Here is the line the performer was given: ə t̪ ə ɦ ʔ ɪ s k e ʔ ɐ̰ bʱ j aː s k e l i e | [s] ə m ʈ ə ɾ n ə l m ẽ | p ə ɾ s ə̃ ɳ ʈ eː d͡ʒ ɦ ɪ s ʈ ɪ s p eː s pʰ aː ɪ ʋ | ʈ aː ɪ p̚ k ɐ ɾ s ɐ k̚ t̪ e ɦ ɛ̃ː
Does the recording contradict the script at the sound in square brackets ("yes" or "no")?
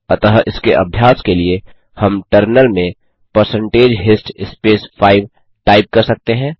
yes